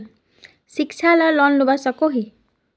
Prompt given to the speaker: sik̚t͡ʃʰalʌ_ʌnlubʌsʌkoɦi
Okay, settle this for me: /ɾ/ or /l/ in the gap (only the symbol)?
l